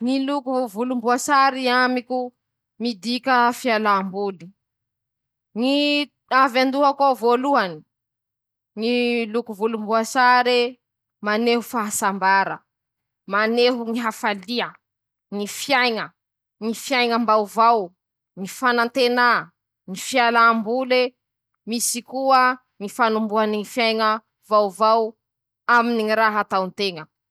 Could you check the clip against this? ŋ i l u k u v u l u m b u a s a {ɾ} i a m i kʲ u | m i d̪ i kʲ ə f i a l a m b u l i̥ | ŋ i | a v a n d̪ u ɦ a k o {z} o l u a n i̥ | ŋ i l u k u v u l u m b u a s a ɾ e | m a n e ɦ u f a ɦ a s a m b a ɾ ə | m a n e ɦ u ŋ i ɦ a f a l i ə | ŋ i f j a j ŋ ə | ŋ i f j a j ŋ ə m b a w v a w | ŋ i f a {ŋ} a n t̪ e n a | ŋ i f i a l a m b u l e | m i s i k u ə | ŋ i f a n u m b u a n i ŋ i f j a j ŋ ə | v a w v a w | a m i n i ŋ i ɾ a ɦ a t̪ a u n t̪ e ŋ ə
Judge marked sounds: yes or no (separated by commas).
yes, no, no